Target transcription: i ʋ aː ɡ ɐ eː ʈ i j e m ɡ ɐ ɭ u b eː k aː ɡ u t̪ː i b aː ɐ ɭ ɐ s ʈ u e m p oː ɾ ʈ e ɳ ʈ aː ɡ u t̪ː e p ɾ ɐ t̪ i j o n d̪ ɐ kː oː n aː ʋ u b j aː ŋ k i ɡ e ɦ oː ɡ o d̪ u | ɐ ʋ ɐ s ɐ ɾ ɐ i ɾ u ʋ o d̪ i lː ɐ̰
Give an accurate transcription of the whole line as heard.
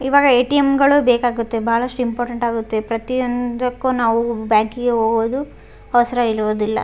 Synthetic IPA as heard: i ʋ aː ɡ ɐ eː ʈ i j e m ɡ ɐ ɭ u b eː k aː ɡ u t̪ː e b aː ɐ ɭ ɐ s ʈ u i m p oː ɾ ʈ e ɳ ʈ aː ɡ u t̪ː e p ɾ ɐ t̪ i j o n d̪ ɐ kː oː n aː ʋ u b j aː ŋ k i ɡ e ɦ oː ɡ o d̪ u | ɐ ʋ ɐ s ɐ ɾ ɐ i ɾ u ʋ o d̪ i lː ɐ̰